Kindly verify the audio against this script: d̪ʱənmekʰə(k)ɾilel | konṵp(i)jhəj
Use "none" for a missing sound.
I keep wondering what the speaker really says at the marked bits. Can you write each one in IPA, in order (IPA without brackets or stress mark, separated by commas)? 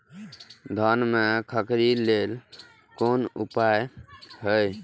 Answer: k, a